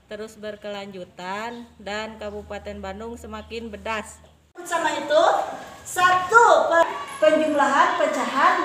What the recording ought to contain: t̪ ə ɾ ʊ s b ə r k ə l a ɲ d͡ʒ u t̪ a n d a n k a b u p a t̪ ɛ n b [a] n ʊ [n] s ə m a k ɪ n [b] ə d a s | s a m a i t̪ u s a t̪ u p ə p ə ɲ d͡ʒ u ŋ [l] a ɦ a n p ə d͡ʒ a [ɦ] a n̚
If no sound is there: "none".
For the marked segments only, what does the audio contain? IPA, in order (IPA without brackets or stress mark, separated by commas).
a, ŋ, b, l, ɦ